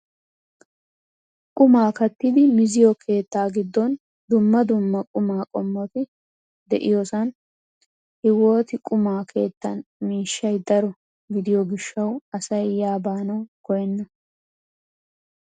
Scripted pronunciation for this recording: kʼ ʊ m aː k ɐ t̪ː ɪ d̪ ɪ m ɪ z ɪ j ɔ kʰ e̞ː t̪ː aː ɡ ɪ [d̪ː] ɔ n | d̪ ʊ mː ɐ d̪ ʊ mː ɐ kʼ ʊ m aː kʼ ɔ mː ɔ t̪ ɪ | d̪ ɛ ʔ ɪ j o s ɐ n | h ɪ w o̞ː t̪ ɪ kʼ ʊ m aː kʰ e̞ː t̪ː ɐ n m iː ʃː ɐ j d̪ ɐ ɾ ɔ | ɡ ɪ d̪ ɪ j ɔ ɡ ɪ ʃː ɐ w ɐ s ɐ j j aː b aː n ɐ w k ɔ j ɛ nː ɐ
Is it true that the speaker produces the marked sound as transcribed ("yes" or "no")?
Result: yes